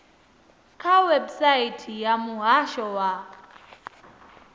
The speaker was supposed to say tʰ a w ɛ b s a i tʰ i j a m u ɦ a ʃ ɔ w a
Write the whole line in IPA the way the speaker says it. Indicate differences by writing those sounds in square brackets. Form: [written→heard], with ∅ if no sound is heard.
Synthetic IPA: [tʰ→kʰ] a w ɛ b s a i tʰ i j a m u ɦ a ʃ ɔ w a